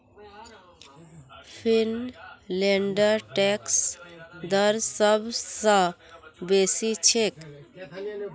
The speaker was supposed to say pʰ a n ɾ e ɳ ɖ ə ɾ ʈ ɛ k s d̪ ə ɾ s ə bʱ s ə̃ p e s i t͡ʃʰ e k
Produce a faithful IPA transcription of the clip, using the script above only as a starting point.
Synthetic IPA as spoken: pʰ i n l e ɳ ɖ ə ɾ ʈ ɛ k s d̪ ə ɾ s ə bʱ s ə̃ b e s i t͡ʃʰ e k